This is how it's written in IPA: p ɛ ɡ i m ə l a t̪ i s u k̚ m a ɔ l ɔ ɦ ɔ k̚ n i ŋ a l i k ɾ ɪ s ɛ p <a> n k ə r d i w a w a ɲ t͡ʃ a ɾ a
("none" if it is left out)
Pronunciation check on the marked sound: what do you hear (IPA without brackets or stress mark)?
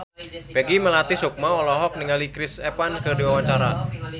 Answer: a